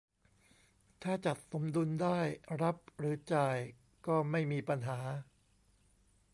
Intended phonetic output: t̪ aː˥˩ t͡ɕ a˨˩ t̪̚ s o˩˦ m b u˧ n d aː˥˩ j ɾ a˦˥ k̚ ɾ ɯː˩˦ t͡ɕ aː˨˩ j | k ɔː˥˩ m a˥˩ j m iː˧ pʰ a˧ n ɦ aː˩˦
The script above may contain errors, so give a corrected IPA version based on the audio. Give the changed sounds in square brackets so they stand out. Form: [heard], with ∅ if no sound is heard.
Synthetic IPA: [t̪ʰ] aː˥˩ t͡ɕ a˨˩ t̪̚ s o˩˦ m [d] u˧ n d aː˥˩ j ɾ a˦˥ [p̚] ɾ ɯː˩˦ t͡ɕ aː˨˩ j | k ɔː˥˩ m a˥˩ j m iː˧ [p] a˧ n ɦ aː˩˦